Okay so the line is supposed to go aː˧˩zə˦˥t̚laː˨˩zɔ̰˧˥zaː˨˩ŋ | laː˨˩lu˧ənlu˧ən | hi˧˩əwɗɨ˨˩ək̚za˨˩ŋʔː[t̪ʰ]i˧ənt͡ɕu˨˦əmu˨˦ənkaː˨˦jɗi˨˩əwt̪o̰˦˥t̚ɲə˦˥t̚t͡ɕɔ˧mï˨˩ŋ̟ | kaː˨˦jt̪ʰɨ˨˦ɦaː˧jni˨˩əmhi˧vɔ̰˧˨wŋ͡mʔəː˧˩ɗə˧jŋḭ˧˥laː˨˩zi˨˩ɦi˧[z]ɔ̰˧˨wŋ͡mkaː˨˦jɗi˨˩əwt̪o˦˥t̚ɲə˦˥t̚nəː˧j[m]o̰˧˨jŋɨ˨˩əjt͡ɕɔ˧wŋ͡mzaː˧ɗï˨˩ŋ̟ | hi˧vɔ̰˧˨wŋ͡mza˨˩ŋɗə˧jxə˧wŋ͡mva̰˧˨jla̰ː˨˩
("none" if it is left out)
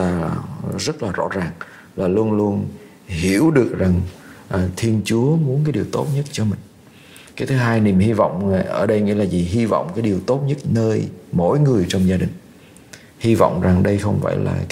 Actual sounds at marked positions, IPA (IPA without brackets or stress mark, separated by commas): t̪ʰ, v, m